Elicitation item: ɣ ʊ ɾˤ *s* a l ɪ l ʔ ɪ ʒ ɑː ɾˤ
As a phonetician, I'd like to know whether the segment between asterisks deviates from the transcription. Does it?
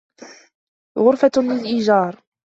yes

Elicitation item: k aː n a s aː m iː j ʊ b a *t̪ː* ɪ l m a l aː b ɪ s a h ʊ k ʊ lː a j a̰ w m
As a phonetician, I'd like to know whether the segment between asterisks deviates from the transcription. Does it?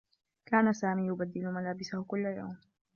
yes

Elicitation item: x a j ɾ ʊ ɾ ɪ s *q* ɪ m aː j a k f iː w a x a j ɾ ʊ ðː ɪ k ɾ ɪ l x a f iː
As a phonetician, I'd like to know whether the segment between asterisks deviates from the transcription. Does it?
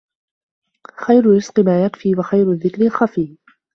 no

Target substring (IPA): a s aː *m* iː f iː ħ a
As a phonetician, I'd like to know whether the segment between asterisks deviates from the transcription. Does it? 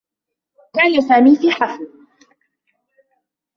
no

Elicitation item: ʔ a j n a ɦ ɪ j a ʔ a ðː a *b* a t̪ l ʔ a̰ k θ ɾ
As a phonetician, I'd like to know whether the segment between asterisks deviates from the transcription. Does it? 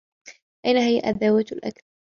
yes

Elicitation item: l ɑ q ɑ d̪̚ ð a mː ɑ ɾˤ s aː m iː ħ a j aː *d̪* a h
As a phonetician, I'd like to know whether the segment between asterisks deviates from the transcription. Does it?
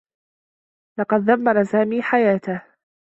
yes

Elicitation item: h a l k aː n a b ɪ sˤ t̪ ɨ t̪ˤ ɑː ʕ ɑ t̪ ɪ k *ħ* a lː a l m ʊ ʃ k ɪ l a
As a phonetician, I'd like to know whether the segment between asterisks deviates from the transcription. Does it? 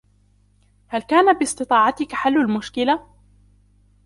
no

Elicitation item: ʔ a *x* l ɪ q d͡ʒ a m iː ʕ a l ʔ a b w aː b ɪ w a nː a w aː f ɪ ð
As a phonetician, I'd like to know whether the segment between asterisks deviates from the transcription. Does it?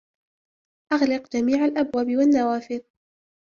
yes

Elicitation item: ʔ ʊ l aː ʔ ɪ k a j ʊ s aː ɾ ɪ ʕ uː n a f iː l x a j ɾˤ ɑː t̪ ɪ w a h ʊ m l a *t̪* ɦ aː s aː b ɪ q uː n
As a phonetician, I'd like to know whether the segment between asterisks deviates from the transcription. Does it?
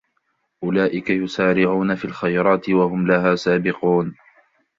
yes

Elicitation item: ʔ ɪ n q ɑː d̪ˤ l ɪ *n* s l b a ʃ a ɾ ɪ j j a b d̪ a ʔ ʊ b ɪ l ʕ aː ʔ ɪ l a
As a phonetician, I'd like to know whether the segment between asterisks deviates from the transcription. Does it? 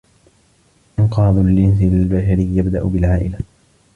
no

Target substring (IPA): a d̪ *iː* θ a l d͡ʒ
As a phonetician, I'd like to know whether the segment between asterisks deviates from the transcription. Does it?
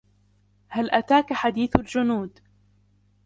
no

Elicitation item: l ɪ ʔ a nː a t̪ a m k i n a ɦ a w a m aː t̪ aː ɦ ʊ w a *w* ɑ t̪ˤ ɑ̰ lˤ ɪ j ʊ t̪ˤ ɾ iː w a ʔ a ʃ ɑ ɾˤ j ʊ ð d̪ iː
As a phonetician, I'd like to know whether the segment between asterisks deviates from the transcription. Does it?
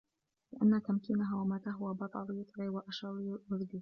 yes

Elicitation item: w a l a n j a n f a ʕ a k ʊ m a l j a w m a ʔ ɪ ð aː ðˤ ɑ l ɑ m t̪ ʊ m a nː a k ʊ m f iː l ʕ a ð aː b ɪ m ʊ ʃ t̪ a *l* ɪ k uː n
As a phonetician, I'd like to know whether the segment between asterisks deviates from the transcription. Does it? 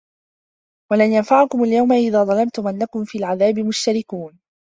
yes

